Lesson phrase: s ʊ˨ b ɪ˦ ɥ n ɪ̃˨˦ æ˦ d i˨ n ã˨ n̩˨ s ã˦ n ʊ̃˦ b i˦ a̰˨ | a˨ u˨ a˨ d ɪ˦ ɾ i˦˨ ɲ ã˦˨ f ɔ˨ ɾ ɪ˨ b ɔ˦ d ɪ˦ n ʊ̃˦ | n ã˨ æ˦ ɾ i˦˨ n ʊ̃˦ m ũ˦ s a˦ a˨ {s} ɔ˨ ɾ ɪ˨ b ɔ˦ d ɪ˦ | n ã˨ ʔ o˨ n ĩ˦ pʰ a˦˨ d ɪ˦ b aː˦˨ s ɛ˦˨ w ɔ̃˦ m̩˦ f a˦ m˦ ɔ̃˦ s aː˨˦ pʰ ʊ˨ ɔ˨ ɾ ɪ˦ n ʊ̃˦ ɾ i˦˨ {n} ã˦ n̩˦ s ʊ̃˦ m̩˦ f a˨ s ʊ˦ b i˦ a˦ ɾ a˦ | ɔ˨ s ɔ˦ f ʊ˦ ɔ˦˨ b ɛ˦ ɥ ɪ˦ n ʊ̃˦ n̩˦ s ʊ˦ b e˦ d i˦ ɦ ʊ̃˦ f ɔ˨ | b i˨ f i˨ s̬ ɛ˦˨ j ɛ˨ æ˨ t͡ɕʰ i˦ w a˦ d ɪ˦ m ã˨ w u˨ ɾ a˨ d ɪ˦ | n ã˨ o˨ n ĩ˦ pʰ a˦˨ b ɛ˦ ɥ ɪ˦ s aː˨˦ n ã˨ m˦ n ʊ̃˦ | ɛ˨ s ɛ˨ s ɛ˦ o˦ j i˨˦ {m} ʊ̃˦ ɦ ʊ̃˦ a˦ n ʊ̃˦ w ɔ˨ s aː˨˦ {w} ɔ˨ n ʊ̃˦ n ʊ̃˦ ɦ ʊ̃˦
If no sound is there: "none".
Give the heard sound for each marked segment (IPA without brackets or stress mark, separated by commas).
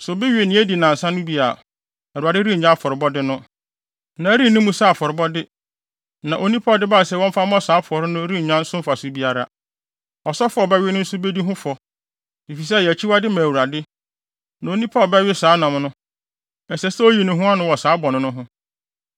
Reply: f, ɲ, n, b